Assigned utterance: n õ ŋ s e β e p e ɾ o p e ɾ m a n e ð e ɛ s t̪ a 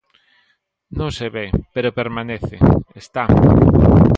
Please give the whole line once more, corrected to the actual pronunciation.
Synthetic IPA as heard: n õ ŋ s e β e p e ɾ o p e ɾ m a n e θ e e s t̪ a